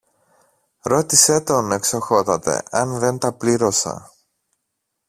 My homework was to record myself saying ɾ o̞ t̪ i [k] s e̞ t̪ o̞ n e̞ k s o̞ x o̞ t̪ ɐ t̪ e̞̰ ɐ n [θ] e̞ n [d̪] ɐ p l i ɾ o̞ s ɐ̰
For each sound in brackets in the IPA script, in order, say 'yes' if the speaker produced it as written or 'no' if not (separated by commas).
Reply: no, no, no